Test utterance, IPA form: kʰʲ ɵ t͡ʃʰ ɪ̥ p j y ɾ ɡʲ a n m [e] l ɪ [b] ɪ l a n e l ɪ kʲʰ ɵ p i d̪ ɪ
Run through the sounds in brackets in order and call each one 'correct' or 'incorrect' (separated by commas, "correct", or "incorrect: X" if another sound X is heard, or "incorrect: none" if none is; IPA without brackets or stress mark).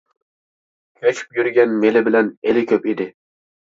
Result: correct, correct